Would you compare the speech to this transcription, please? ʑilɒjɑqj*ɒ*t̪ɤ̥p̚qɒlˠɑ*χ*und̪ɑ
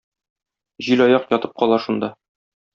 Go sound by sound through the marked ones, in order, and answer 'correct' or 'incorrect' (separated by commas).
correct, incorrect